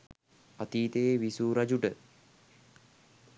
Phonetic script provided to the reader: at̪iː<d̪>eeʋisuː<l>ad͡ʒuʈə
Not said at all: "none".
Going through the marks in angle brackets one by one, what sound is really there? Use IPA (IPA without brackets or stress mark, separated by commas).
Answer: t̪, ɾ